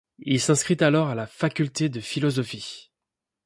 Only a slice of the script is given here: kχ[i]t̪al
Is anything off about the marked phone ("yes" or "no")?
no